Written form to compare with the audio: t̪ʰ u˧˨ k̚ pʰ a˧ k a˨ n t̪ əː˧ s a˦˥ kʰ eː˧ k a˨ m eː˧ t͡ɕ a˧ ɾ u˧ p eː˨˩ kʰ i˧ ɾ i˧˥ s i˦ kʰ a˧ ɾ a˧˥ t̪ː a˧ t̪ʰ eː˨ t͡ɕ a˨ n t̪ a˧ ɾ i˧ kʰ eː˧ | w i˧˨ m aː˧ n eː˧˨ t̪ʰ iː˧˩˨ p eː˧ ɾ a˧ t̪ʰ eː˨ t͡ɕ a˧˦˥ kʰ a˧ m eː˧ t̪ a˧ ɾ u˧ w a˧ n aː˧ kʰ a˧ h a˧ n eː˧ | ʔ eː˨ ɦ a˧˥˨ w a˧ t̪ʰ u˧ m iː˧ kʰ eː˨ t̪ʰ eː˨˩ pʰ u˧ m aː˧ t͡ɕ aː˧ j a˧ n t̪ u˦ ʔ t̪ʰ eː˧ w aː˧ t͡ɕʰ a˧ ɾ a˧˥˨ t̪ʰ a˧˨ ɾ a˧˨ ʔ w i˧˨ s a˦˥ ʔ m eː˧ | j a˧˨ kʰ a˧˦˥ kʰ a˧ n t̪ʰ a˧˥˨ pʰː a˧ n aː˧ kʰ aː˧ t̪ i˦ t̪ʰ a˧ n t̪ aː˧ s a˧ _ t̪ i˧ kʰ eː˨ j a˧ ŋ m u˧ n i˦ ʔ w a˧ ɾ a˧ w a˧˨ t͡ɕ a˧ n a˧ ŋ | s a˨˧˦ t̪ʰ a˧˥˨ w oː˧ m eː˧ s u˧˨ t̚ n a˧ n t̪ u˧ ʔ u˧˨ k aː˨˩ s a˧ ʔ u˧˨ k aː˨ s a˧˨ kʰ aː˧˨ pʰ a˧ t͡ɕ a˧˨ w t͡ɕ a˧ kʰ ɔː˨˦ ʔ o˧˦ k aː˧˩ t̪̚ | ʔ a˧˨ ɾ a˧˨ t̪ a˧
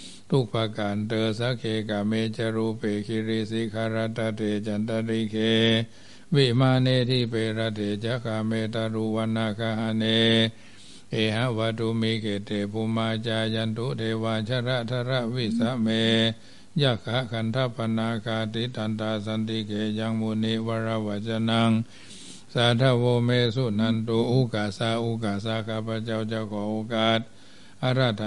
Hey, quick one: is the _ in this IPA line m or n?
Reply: n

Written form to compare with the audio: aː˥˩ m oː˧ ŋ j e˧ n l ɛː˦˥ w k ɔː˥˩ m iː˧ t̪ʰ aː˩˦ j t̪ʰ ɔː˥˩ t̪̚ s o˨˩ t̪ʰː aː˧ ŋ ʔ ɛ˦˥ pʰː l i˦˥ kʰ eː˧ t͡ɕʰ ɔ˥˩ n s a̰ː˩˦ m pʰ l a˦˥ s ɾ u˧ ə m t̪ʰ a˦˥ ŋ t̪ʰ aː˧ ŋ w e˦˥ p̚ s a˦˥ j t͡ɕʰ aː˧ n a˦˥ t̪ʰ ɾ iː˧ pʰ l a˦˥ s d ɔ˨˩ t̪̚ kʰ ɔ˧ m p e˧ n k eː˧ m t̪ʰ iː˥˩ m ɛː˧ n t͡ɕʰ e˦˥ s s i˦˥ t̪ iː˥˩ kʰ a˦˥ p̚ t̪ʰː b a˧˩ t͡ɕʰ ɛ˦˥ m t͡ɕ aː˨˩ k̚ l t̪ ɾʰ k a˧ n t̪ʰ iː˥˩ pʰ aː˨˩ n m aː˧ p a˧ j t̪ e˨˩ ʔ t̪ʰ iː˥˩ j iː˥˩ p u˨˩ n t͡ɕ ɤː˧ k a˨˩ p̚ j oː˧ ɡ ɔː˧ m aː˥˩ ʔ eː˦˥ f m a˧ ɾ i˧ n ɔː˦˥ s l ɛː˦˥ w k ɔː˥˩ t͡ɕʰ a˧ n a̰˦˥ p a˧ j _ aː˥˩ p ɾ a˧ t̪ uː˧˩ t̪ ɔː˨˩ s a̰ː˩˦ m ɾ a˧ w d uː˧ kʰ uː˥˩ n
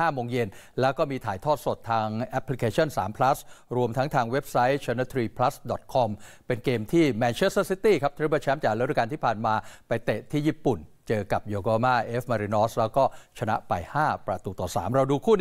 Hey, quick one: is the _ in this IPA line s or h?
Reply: h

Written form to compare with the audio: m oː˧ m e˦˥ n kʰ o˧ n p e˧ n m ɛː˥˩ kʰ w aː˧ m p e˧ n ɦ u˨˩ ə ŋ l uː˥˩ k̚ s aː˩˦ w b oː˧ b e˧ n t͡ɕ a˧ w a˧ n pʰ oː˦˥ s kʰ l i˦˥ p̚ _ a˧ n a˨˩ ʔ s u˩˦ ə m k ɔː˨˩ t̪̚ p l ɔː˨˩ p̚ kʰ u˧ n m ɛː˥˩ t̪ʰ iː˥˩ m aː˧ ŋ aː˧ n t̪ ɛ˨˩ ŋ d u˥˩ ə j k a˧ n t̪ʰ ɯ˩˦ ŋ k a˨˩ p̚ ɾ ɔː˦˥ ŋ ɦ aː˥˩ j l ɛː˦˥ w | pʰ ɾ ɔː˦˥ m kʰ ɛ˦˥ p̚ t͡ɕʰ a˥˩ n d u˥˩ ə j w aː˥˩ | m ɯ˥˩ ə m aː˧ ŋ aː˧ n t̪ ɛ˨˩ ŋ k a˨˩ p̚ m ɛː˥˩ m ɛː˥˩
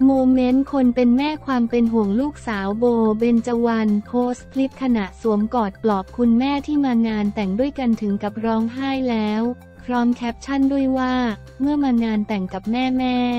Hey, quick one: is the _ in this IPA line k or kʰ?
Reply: kʰ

